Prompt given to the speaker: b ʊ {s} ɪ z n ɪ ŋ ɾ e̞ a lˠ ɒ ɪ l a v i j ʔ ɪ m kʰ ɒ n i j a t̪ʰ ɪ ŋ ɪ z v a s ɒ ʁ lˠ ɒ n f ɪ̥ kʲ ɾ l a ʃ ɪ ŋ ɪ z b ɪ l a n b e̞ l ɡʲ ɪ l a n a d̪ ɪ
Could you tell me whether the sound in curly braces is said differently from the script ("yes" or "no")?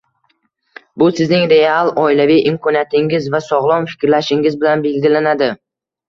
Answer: no